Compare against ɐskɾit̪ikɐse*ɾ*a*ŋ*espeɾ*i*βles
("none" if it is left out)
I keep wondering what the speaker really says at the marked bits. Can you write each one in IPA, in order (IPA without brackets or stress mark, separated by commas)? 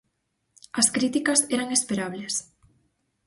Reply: ɾ, ŋ, a